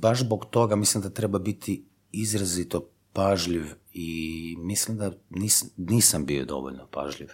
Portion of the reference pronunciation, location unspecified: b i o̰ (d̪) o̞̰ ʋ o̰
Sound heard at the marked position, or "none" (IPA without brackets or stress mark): d̪